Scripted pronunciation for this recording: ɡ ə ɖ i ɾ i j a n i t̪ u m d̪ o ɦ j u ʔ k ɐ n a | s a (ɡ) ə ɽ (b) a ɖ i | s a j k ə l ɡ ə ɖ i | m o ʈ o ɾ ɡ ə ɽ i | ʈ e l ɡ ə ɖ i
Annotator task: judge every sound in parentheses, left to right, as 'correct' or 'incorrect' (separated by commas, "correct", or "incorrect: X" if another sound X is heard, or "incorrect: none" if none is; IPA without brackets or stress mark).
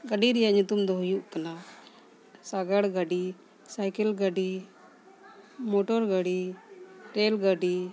correct, incorrect: ɡ